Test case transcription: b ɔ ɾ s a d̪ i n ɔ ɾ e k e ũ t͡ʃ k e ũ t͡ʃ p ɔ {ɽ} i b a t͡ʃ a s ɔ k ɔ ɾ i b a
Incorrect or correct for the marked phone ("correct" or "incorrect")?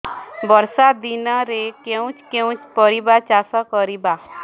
incorrect